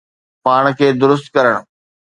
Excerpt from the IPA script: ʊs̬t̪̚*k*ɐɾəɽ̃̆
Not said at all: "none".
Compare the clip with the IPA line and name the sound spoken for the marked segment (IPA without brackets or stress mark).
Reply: k